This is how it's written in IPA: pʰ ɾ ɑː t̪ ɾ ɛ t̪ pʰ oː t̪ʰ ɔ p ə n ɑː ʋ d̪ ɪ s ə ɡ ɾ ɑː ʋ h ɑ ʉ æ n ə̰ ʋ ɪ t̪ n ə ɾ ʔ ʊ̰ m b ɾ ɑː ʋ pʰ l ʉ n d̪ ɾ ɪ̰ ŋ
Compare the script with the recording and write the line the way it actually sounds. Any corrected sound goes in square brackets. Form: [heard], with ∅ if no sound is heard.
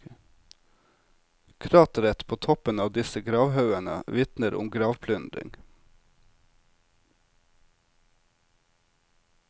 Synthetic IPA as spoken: [kʰ] ɾ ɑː t̪ ɾ ɛ t̪ pʰ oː t̪ʰ ɔ p ə n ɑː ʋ d̪ ɪ s ə ɡ ɾ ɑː ʋ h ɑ ʉ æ n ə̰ ʋ ɪ t̪ n ə ɾ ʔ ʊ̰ m [ɡ] ɾ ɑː ʋ pʰ l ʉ n d̪ ɾ ɪ̰ ŋ